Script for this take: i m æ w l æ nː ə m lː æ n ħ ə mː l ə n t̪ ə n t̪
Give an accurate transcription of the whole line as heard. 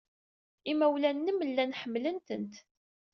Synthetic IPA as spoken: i m æ w l æ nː ə m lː æ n ħ ə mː l ə n t̪ ə n t̪